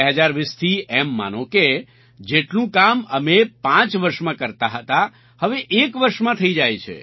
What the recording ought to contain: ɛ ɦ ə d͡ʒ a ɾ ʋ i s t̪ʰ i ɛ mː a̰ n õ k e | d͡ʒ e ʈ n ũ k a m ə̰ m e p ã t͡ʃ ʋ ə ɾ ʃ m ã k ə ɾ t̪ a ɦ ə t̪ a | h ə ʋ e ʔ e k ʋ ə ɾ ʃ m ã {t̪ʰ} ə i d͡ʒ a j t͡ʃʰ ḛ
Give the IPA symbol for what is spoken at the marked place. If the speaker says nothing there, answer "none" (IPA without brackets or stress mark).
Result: t̪ʰ